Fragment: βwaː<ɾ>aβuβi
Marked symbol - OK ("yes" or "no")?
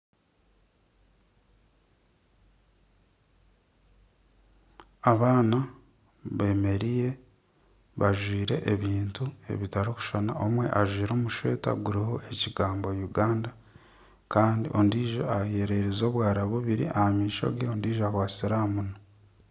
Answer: yes